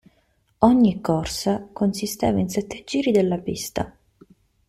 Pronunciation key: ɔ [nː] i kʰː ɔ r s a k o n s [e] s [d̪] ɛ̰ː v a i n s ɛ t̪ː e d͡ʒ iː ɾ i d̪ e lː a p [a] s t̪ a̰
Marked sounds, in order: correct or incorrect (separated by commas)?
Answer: incorrect, incorrect, incorrect, incorrect